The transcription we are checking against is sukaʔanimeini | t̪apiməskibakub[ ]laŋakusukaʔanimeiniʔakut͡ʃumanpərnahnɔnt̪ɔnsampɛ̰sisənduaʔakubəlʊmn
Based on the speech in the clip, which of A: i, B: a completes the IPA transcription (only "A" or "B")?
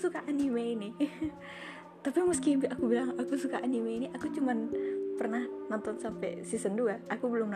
A